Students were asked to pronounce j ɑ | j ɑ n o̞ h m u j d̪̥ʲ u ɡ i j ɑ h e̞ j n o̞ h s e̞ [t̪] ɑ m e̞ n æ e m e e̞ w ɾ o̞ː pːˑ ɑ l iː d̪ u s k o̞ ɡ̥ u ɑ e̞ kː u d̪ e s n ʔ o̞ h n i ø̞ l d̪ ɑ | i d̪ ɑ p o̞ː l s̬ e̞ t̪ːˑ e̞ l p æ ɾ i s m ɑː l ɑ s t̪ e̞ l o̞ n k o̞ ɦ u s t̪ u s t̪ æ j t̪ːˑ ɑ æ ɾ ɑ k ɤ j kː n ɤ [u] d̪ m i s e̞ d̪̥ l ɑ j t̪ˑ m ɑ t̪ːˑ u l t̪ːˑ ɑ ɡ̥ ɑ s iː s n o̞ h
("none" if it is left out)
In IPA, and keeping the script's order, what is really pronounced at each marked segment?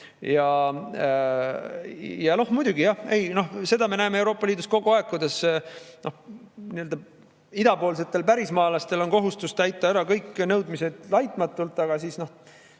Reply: d̪, w

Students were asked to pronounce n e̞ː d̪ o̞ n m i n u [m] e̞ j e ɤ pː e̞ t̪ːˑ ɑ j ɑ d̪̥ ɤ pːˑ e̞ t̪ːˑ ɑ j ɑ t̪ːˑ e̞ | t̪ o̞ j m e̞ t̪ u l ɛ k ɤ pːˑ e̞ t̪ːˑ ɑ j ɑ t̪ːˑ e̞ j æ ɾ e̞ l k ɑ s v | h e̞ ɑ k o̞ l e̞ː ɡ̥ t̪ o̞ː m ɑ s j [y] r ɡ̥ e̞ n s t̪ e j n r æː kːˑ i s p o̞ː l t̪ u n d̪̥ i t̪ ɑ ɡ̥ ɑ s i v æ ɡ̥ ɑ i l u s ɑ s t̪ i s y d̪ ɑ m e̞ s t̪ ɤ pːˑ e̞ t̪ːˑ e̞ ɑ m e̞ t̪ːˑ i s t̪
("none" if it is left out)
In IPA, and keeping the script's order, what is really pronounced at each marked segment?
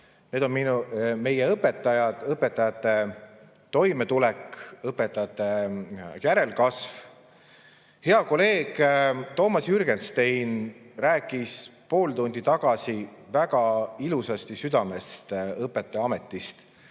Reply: m, y

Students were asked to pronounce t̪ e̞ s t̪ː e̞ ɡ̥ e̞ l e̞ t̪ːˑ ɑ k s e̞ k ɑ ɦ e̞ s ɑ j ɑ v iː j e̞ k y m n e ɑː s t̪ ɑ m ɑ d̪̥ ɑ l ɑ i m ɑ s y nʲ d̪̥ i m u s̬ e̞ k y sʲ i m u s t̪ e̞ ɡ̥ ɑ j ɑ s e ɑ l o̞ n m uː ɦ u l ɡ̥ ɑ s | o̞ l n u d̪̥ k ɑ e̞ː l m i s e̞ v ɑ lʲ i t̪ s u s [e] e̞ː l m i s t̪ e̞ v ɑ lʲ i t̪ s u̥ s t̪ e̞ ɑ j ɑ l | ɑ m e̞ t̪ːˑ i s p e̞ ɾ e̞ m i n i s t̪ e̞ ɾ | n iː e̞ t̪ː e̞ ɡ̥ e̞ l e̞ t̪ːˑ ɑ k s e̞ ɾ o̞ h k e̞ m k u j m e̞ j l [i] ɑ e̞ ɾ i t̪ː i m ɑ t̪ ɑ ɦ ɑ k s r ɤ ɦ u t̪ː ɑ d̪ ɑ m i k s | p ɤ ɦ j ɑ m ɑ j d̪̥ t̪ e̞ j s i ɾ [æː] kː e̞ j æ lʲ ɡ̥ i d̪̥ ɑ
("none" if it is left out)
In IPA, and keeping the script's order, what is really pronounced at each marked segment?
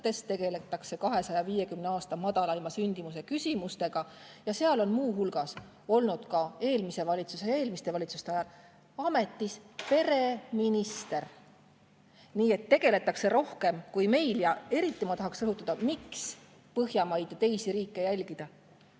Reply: e, j, iː

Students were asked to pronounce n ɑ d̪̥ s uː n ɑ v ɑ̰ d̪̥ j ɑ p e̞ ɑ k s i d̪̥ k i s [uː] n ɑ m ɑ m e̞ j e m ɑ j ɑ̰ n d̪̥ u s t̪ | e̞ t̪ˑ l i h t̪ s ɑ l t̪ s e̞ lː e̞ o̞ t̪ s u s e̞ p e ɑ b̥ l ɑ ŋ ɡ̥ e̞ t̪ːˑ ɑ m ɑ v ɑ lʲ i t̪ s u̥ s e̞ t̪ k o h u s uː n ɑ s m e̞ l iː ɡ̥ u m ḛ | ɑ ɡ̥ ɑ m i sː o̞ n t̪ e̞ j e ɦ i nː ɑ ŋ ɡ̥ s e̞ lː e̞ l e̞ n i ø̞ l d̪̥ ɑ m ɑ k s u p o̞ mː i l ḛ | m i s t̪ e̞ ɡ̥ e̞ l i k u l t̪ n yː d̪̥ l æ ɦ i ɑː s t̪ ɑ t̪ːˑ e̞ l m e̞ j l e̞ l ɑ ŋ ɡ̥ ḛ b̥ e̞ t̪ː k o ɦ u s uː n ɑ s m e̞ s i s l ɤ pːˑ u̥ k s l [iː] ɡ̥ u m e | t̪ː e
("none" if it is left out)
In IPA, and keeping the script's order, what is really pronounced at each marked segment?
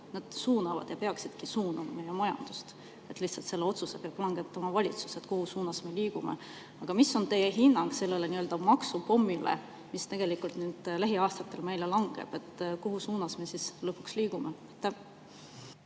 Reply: uː, iː

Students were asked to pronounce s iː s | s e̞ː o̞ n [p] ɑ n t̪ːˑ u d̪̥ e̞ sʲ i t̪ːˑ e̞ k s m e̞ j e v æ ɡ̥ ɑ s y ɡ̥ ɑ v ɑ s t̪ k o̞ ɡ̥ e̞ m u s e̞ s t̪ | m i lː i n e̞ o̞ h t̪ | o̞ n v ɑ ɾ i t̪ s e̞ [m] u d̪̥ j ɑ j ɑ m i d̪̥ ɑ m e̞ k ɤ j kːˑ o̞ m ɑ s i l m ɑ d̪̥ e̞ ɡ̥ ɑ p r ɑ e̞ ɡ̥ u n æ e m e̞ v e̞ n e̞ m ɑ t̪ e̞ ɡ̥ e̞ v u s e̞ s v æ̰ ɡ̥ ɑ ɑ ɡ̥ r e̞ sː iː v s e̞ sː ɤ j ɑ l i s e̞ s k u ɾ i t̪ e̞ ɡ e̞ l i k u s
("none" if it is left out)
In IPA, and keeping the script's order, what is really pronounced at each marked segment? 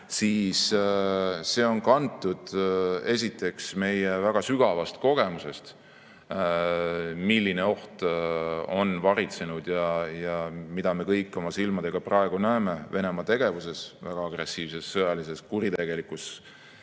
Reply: k, n

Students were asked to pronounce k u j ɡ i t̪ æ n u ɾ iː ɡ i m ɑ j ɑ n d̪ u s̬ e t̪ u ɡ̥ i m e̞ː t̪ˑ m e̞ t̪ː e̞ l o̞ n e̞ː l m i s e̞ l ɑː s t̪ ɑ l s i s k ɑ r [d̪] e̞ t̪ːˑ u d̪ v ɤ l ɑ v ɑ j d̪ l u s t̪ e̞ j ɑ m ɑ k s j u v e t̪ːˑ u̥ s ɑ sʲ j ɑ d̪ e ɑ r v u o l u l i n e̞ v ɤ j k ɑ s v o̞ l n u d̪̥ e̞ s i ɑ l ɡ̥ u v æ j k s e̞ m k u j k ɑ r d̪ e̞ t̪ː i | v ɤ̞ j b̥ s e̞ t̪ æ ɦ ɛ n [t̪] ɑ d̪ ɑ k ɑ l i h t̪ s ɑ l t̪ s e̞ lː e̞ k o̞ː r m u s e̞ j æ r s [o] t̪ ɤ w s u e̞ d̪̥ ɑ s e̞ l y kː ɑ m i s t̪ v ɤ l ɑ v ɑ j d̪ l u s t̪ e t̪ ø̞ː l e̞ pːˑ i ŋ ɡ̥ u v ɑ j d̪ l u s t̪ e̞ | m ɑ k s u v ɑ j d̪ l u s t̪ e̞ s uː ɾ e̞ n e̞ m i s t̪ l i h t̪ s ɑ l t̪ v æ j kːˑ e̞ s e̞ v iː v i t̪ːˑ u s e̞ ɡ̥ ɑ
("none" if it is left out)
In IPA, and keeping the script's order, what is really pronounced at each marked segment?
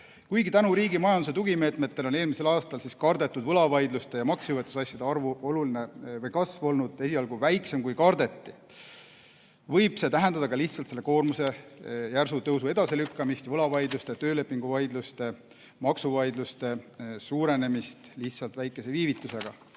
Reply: d̪, d̪, u

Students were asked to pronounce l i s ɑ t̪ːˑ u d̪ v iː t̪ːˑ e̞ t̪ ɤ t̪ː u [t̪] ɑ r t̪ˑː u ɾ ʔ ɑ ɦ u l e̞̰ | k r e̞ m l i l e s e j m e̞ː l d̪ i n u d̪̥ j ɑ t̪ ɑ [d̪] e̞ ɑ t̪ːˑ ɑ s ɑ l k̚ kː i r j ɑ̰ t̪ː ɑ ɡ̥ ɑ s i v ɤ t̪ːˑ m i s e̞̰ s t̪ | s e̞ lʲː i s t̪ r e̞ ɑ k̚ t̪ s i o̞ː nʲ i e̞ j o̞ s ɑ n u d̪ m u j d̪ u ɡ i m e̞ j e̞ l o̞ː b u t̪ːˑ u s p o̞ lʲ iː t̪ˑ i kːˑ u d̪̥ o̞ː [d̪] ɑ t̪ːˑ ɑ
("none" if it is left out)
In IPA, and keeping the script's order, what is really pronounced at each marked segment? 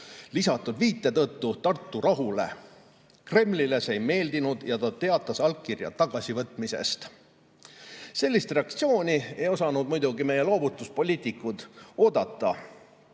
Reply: t̪, t̪, d̪

